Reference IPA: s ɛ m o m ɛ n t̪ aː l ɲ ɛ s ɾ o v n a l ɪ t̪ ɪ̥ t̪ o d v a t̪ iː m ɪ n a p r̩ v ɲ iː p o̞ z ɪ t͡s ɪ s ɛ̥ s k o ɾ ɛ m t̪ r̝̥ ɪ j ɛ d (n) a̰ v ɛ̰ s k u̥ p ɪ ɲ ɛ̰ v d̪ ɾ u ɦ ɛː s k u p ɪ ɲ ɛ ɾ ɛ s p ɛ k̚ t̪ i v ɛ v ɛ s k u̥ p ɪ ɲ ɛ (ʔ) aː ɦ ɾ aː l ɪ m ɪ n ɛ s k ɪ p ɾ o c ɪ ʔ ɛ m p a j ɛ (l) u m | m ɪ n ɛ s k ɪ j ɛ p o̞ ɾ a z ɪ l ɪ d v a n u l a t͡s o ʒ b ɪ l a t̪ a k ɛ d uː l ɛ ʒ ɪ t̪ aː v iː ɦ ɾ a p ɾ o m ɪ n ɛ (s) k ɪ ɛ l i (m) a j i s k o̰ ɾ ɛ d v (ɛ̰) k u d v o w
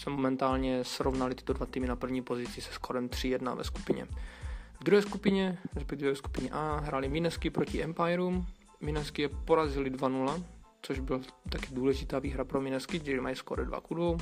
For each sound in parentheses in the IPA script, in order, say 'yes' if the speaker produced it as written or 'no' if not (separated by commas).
yes, yes, no, yes, yes, no